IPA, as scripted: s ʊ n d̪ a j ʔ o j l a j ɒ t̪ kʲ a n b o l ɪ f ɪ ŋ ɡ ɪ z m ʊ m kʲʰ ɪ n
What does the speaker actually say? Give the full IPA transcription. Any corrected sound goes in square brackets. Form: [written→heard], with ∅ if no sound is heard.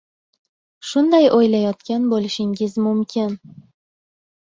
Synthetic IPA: [s→ʃ] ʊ n d̪ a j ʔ o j l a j ɒ t̪ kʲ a n b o l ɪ [f→ʃ] ɪ ŋ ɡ ɪ z m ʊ m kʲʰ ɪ n